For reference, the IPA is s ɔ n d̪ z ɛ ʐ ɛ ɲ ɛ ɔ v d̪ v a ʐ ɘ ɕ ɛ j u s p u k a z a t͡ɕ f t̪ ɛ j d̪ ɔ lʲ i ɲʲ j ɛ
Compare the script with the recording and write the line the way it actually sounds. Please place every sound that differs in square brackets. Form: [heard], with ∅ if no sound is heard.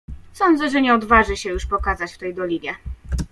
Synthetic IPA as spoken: s ɔ n d̪ z ɛ ʐ ɛ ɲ ɛ ɔ [∅] d̪ v a ʐ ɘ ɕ ɛ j u [ʂ] p [ɔ] k a z a t͡ɕ f t̪ ɛ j d̪ ɔ lʲ i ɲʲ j ɛ

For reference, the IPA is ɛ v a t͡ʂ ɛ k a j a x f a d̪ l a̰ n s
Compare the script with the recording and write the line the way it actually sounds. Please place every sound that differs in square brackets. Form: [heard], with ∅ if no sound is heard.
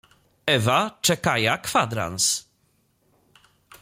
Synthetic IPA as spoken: ɛ v a t͡ʂ ɛ k a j a [k] f a d̪ [ɾ] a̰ n s

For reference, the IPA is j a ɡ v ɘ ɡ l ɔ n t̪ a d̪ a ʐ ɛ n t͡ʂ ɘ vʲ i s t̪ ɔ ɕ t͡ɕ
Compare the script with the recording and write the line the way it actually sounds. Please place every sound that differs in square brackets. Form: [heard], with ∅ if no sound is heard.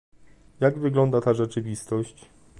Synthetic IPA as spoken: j a ɡ v ɘ ɡ l ɔ n [d̪] a [t̪] a ʐ ɛ [∅] t͡ʂ ɘ vʲ i s t̪ ɔ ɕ t͡ɕ

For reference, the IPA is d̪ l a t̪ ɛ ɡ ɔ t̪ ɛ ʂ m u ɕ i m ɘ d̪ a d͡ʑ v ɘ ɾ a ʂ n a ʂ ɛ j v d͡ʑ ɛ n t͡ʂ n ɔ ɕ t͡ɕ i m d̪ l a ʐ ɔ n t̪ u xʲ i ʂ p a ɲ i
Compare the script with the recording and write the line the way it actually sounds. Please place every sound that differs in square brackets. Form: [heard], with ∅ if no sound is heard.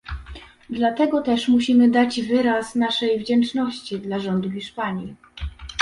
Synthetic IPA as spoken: d̪ l a t̪ ɛ ɡ ɔ t̪ ɛ ʂ m u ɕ i m ɘ d̪ a d͡ʑ v ɘ ɾ a [s] n a ʂ ɛ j v d͡ʑ ɛ n t͡ʂ n ɔ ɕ t͡ɕ i [∅] d̪ l a ʐ ɔ n [d̪] u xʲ i ʂ p a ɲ i

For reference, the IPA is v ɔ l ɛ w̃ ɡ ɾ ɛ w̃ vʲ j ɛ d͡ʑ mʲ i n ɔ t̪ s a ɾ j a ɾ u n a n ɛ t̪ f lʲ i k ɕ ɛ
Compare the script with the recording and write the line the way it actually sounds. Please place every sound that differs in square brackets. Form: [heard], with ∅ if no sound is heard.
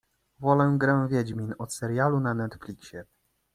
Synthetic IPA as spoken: v ɔ l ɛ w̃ ɡ ɾ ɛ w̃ vʲ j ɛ d͡ʑ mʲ i n ɔ t̪ s [ɛ] ɾ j a [l] u n a n ɛ t̪ f lʲ i k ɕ ɛ

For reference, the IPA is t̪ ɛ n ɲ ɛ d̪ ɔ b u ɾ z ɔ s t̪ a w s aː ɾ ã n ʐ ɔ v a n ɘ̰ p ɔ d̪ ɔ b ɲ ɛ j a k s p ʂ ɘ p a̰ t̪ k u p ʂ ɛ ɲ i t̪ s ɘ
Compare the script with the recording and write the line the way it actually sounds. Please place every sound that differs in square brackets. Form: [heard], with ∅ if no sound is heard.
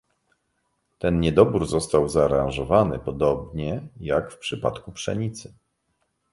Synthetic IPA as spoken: t̪ ɛ n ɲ ɛ d̪ ɔ b u ɾ z ɔ s t̪ a w [z] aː ɾ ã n ʐ ɔ v a n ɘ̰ p ɔ d̪ ɔ b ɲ ɛ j a k [f] p ʂ ɘ p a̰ t̪ k u p ʂ ɛ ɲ i t̪ s ɘ

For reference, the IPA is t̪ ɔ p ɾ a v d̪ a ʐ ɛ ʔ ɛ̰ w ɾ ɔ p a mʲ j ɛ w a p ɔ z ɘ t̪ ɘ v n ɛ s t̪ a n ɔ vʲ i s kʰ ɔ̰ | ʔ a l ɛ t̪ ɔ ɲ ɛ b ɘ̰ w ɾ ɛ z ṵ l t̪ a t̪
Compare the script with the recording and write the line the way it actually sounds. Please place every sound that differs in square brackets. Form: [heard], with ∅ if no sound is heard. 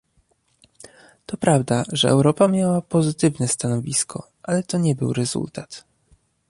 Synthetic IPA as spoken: t̪ ɔ p ɾ a v d̪ a ʐ ɛ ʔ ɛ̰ w ɾ ɔ p a mʲ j [a] w a p ɔ z ɘ t̪ ɘ v n ɛ s t̪ a n ɔ vʲ i s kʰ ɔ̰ | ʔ a l ɛ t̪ ɔ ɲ ɛ b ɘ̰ w ɾ ɛ z ṵ l t̪ a t̪

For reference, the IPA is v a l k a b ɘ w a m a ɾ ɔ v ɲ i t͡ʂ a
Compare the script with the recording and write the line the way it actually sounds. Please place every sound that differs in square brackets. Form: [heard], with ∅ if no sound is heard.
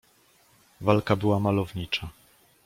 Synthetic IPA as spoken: v a l k a b ɘ w a m a [l] ɔ v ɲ i t͡ʂ a

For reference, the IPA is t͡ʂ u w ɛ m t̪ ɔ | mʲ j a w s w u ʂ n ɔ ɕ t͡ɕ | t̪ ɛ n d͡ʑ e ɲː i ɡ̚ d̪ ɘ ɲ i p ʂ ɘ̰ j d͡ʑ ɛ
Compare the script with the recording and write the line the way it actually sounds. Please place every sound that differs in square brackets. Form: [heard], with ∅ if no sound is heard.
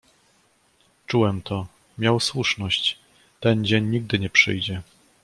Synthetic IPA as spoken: t͡ʂ u w ɛ m t̪ ɔ | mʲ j a w s w u ʂ n ɔ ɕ t͡ɕ | t̪ ɛ n d͡ʑ e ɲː i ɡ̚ d̪ ɘ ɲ [ɛ] p ʂ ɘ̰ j d͡ʑ ɛ

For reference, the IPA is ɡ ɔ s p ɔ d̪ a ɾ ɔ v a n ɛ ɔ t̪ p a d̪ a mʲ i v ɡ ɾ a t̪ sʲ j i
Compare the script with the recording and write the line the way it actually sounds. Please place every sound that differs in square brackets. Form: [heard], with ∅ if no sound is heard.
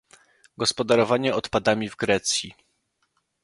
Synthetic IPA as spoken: ɡ ɔ s p ɔ d̪ a ɾ ɔ v a [ɲ] ɛ ɔ t̪ p a d̪ a mʲ i v ɡ ɾ [ɛ] t̪ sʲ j i

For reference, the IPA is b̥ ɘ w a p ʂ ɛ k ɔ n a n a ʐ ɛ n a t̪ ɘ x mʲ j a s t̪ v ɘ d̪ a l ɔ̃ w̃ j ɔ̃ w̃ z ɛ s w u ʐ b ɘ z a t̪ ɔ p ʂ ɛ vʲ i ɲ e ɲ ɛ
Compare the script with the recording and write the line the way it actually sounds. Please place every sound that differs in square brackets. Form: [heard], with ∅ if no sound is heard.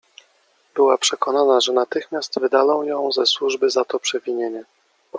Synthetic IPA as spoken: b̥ ɘ w a p ʂ ɛ k ɔ n a n a ʐ ɛ n a t̪ ɘ x mʲ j a s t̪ v ɘ d̪ a l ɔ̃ w̃ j ɔ̃ w̃ z ɛ s w u ʐ b ɘ z a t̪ ɔ p ʂ ɛ vʲ i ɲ e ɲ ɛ

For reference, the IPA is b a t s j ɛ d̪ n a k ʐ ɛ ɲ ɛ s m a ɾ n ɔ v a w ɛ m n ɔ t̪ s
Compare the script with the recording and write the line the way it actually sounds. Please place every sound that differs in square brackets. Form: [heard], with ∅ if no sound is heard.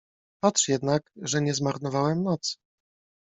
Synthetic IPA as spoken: [p] a t [ʂ] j ɛ d̪ n a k ʐ ɛ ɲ ɛ [z] m a ɾ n ɔ v a w ɛ m n ɔ t̪ s

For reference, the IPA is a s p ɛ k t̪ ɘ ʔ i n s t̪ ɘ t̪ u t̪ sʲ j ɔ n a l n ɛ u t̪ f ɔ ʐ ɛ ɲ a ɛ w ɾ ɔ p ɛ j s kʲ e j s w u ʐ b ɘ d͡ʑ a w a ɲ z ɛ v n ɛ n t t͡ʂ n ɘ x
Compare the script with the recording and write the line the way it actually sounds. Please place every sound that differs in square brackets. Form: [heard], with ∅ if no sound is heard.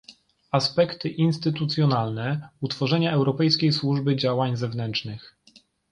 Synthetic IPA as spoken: a s p ɛ k t̪ ɘ ʔ i n s t̪ ɘ t̪ u t̪ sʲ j ɔ n a l n ɛ u t̪ f ɔ ʐ ɛ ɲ a ɛ w ɾ ɔ p ɛ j s kʲ e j s w u ʐ b ɘ d͡ʑ a w a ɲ z ɛ v n ɛ n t t͡ʂ n ɘ x

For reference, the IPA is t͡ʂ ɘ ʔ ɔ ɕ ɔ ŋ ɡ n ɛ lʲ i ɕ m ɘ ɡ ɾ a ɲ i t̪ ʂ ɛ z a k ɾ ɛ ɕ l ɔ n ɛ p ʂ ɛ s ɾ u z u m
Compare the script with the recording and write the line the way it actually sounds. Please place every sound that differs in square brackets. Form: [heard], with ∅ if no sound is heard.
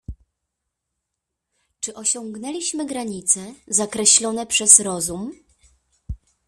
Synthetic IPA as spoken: t͡ʂ ɘ ʔ ɔ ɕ ɔ ŋ ɡ n ɛ lʲ i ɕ m ɘ ɡ ɾ a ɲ i t̪ [s] ɛ z a k ɾ ɛ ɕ l ɔ n ɛ p ʂ ɛ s ɾ [ɔ] z u m

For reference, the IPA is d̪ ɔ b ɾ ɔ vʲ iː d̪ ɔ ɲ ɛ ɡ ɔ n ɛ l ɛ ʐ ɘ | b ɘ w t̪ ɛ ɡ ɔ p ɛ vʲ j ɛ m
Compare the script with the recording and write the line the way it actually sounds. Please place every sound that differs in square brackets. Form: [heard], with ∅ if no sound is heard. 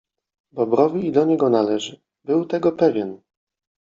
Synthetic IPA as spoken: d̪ ɔ b ɾ ɔ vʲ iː d̪ ɔ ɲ ɛ ɡ ɔ n [a] l ɛ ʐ ɘ | b ɘ w t̪ ɛ ɡ ɔ p ɛ vʲ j ɛ [n]

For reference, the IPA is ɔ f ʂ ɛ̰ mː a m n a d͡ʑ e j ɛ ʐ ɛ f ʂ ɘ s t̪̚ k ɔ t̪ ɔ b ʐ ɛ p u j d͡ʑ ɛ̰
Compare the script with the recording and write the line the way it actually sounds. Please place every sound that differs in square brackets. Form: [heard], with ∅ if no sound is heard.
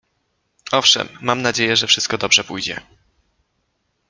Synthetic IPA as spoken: ɔ f ʂ ɛ̰ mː a m n a d͡ʑ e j ɛ ʐ ɛ f ʂ ɘ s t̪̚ k ɔ [d̪] ɔ b ʐ ɛ p u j d͡ʑ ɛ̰

